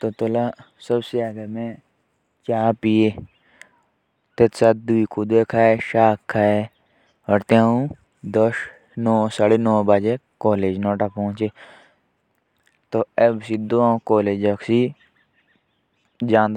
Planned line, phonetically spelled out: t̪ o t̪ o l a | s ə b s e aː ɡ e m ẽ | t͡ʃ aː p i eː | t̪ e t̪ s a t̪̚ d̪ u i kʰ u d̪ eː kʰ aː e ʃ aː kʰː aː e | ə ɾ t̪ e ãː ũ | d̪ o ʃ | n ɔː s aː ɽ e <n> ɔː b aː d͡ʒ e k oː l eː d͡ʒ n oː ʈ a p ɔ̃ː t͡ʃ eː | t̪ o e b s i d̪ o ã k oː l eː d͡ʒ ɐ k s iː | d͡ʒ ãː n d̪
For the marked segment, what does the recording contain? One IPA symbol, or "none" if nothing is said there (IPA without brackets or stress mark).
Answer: n